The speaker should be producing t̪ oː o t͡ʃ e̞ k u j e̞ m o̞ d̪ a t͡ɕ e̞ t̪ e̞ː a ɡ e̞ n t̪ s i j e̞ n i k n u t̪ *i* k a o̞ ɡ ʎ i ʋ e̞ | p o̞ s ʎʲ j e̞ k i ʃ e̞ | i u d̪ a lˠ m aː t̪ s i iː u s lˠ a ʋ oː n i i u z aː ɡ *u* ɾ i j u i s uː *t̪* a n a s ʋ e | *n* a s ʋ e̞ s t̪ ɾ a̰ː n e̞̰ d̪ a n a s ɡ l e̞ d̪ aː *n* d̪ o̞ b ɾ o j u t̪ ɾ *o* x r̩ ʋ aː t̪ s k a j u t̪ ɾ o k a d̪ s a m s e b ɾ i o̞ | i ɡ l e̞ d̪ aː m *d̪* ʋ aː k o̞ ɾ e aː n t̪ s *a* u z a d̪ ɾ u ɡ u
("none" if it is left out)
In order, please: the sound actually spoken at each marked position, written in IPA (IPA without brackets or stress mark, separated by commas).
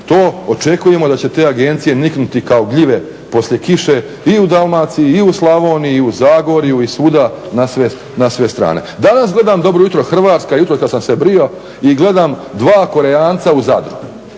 i, o, d̪, n, m, o, d̪, a